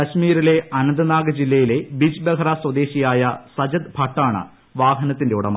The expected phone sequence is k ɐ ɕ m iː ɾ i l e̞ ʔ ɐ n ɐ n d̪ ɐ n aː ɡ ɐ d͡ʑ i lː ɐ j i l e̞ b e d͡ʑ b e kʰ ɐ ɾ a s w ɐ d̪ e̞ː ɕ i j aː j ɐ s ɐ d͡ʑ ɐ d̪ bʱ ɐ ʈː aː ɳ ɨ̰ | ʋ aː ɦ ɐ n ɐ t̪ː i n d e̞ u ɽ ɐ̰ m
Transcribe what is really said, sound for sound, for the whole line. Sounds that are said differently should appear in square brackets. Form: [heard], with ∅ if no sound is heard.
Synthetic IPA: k ɐ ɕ m iː ɾ i l e̞ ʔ ɐ n ɐ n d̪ ɐ n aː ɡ ɐ d͡ʑ i lː ɐ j i l e̞ b [i] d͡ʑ b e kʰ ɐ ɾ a s w ɐ d̪ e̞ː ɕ i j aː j ɐ s ɐ d͡ʑ ɐ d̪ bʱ ɐ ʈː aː ɳ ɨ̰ | ʋ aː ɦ ɐ n ɐ t̪ː i n d e̞ u ɽ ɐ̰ m